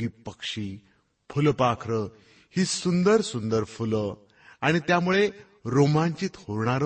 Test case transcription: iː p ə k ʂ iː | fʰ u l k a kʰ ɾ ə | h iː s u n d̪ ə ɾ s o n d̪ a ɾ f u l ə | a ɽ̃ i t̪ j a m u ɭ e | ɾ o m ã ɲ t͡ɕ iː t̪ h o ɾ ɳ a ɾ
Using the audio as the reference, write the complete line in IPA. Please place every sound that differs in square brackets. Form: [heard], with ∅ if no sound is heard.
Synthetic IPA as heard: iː p ə k ʂ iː | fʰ u l [p] a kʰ ɾ ə | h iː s u n d̪ ə ɾ s [u] n d̪ [ə] ɾ f u l ə | a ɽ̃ i t̪ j a m u ɭ e | ɾ o m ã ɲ t͡ɕ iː t̪ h o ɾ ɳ a ɾ